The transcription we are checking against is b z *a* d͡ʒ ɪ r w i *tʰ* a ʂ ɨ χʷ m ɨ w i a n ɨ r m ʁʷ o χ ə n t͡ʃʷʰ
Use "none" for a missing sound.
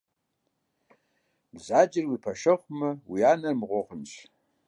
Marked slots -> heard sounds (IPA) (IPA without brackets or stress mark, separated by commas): a, pʰ